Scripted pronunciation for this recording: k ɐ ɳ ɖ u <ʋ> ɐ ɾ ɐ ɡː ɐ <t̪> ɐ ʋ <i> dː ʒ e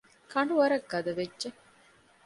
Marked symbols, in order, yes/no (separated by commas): yes, no, no